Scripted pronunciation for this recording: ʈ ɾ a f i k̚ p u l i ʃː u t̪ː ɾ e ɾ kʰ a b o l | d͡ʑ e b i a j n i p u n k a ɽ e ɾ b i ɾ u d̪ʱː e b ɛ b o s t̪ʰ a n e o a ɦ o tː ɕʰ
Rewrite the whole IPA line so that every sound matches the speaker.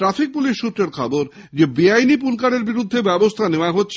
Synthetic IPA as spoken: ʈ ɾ a f i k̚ p u l i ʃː u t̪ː ɾ e ɾ kʰ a b o ɾ | d͡ʑ e b i a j n i p u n k a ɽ e ɾ b i ɾ u d̪ʱː e b ɛ b o s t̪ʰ a n e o a ɦ o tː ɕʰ